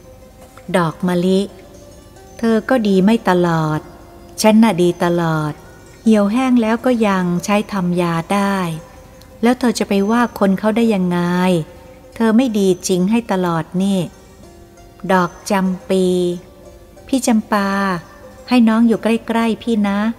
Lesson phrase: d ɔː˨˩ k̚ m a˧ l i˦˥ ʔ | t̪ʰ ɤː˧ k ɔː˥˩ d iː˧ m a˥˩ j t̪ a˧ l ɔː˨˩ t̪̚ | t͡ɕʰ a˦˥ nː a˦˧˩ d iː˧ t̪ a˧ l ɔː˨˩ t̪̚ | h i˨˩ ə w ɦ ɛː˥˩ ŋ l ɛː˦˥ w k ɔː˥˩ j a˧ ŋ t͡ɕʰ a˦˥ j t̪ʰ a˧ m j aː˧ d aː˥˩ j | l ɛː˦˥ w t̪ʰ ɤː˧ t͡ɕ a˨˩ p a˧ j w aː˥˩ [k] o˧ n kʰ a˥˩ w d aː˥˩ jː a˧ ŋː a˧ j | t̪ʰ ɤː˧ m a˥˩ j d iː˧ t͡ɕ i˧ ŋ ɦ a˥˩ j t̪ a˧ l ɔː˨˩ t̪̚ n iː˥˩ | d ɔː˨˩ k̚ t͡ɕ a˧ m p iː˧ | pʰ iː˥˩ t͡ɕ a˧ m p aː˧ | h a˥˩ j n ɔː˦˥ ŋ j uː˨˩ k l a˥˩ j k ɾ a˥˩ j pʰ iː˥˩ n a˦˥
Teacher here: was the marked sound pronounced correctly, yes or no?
no